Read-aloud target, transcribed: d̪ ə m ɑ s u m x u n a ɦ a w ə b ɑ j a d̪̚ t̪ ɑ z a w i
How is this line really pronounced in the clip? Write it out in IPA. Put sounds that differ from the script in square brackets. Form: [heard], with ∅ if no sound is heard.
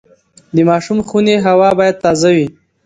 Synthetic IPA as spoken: d̪ ə m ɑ [ʃ] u m x u n [e] ɦ a w [ɑ] b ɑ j a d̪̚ t̪ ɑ z a w i